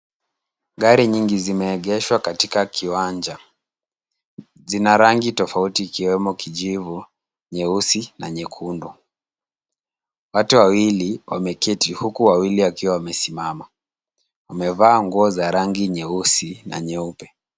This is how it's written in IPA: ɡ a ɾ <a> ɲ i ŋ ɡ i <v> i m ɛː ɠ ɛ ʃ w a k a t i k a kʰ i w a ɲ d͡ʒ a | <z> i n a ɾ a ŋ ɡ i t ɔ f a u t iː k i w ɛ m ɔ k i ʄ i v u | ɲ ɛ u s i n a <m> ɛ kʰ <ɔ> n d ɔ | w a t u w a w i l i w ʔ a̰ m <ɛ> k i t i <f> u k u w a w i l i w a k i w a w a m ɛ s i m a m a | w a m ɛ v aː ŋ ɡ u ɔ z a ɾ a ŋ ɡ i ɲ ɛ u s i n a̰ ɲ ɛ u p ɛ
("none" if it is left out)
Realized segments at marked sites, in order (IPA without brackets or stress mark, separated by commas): i, z, z, ɲ, u, ɛ, h